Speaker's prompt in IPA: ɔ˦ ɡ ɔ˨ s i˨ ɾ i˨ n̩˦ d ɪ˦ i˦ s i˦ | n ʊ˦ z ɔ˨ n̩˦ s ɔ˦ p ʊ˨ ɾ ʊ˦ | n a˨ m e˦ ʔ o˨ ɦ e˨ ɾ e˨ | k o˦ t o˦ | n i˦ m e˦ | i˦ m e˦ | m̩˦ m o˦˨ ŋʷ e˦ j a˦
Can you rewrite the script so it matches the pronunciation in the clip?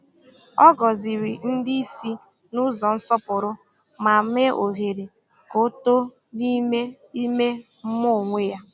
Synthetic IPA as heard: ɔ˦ ɡ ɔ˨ z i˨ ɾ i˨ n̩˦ d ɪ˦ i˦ s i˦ | n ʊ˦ z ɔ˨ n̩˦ s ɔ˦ p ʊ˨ ɾ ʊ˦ | m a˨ m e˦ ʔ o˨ ɦ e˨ ɾ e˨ | k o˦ t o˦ | n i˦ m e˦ | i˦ m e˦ | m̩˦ m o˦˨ ŋʷ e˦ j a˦

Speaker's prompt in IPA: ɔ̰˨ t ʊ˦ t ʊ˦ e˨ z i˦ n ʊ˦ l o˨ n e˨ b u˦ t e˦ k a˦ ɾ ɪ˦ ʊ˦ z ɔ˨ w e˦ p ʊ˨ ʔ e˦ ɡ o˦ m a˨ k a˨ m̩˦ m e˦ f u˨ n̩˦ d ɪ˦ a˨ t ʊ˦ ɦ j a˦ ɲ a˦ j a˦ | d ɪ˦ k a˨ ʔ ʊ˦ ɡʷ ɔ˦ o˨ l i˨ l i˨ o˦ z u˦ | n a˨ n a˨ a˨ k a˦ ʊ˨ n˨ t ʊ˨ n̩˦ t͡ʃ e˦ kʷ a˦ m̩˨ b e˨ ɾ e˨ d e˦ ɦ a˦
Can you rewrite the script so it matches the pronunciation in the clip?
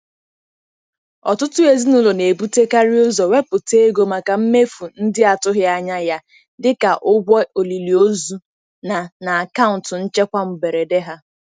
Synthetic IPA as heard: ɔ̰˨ t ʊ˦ t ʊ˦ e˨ z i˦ n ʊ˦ l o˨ n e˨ b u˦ t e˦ k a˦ ɾ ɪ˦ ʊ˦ z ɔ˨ w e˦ p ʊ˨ t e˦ ɡ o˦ m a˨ k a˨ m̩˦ m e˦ f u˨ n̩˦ d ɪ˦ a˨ t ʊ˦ ɦ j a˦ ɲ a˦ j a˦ | d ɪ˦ k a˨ ʔ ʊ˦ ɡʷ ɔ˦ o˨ l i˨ l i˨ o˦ z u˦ | n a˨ n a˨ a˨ k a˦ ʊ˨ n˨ t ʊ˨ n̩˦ t͡ʃ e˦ kʷ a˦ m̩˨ b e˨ ɾ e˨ d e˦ ɦ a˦

